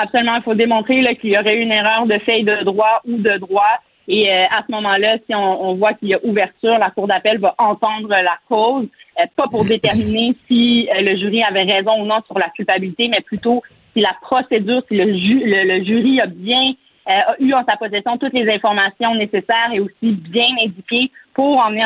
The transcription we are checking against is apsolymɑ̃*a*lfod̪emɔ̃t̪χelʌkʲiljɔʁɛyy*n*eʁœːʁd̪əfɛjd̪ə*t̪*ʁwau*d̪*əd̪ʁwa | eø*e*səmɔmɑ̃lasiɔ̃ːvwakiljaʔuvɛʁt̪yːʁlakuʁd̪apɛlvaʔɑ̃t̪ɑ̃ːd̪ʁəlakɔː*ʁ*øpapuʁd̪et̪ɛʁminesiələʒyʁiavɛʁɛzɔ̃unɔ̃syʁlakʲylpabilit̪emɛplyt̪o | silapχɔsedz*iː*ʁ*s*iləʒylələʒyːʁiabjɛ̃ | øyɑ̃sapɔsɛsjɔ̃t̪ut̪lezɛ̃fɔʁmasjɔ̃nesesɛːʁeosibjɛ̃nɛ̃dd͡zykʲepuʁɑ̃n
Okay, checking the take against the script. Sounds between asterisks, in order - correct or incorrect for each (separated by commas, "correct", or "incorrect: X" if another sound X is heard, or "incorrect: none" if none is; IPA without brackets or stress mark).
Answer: incorrect: i, correct, incorrect: d̪, correct, incorrect: a, incorrect: z, incorrect: yː, correct